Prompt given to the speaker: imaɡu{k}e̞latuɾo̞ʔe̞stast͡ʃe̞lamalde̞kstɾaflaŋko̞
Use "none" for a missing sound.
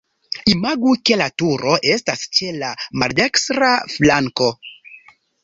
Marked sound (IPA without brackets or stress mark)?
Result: k